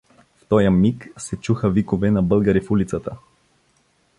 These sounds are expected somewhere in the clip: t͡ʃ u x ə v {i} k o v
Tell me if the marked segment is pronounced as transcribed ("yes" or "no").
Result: yes